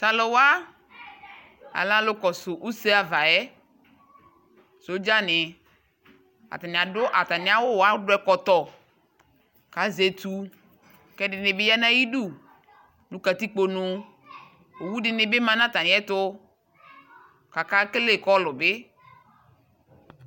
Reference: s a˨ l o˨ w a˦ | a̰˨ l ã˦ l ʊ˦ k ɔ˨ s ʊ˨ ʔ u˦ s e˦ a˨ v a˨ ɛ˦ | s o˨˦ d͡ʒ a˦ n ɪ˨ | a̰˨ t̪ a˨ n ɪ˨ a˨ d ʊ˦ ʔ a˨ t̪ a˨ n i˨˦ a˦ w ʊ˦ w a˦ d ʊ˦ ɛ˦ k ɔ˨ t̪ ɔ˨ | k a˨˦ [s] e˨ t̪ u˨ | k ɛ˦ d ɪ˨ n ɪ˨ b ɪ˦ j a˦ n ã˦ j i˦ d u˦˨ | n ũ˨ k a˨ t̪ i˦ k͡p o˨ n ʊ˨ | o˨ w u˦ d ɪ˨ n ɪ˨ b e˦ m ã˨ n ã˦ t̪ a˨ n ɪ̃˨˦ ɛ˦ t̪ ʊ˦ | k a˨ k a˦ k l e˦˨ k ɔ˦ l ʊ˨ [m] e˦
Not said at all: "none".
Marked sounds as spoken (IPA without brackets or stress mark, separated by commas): z, b